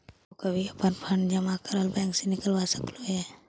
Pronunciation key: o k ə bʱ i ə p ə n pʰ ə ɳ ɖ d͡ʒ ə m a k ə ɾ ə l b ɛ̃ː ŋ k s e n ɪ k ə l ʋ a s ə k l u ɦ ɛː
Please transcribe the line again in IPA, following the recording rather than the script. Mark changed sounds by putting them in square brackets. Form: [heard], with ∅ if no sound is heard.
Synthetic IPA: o k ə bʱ i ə p ə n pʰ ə ɳ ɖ d͡ʒ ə m a k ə ɾ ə l b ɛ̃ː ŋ k s e n ɪ k ə l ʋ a s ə k l [o] ɦ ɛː